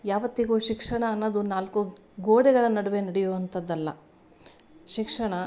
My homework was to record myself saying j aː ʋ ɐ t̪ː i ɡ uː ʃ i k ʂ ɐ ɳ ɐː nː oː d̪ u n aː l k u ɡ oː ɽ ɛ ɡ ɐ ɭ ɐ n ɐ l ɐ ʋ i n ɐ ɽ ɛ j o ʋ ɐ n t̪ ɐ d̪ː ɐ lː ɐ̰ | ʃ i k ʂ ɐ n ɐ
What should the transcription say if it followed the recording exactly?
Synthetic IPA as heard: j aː ʋ ɐ t̪ː i ɡ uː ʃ i k ʂ ɐ ɳ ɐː nː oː d̪ u n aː l k u ɡ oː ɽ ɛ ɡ ɐ ɭ ɐ n ɐ ɽ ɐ ʋ e n ɐ ɽ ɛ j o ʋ ɐ n t̪ ɐ d̪ː ɐ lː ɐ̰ | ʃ i k ʂ ɐ ɳ ɐ